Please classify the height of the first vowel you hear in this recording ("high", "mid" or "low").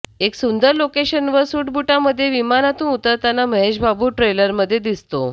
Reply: mid